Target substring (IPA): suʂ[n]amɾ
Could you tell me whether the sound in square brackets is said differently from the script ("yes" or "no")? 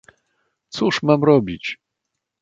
yes